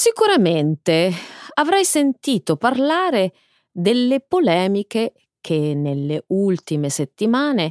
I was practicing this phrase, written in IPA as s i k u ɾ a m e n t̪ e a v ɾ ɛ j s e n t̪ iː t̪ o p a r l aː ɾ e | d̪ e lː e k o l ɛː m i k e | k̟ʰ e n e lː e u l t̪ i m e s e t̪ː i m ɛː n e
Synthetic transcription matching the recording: s i k u ɾ a m e n t̪ e a v ɾ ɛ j s e n t̪ iː t̪ o p a r l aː ɾ e | d̪ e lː e p o l ɛː m i k e | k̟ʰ e n e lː e u l t̪ i m e s e t̪ː i m aː n e